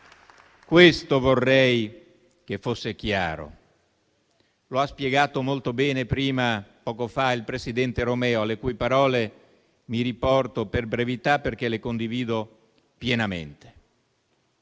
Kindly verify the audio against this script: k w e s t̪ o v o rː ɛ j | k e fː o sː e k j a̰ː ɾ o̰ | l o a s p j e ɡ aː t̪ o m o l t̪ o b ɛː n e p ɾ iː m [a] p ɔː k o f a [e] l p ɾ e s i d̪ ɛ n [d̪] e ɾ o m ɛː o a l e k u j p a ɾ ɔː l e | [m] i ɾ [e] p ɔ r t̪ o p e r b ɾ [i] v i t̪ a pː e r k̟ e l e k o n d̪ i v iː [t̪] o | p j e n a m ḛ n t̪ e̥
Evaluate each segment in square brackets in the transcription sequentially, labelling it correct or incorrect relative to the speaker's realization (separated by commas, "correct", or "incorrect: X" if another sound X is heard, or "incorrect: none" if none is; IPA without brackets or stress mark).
correct, incorrect: i, incorrect: t̪, correct, incorrect: i, incorrect: e, incorrect: d̪